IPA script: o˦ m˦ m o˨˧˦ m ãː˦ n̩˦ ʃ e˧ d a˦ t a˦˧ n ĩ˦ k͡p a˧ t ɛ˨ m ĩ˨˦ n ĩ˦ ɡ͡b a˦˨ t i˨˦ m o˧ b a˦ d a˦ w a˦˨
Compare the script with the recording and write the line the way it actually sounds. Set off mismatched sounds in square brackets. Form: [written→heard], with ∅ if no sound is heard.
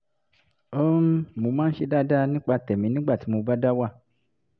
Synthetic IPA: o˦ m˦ m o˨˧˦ m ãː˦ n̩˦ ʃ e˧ d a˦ [t→d] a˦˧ n ĩ˦ k͡p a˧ t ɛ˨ m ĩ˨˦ n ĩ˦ ɡ͡b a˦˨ t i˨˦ m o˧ b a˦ d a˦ w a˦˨